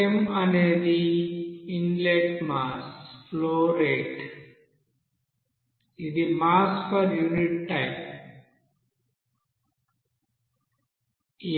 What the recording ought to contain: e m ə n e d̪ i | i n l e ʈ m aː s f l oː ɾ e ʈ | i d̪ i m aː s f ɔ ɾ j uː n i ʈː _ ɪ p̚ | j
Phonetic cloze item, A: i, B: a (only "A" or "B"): B